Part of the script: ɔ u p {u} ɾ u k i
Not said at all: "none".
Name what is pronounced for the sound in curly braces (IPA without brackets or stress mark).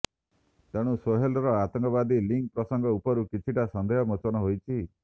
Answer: ɔ